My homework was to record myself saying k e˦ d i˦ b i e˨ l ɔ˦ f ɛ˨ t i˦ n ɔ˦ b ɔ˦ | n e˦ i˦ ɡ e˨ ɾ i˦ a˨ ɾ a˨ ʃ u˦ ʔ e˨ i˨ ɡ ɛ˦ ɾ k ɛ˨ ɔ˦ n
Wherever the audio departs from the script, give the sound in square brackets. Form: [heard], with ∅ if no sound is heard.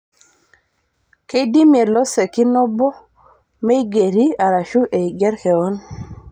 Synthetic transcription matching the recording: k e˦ d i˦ [m] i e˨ l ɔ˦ [s] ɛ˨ [k] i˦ n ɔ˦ b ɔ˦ | [m] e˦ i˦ ɡ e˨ ɾ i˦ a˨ ɾ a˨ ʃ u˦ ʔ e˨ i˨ ɡ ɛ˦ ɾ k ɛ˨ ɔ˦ n